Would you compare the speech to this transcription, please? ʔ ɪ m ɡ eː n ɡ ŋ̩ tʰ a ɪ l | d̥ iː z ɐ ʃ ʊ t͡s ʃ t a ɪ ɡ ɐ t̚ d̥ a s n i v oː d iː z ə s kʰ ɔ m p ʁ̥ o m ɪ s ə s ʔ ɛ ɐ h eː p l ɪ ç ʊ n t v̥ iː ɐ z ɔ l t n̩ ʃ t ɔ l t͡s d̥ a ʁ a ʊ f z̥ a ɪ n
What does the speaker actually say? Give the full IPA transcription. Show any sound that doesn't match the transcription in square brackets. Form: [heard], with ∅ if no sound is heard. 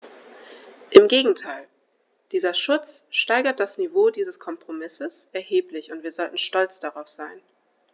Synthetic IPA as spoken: ʔ ɪ m ɡ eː [∅] ɡ ŋ̩ tʰ a ɪ l | d̥ iː z ɐ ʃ ʊ t͡s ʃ t a ɪ ɡ ɐ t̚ d̥ a s n i v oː d iː z ə s kʰ ɔ m p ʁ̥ o m ɪ s ə s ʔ ɛ ɐ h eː p l ɪ ç ʊ n t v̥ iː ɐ z ɔ l t n̩ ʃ t ɔ l t͡s d̥ a ʁ a ʊ f z̥ a ɪ n